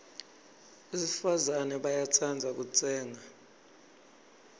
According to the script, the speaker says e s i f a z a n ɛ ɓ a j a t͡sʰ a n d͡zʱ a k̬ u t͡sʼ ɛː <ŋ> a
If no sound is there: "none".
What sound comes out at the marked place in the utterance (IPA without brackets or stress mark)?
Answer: ŋ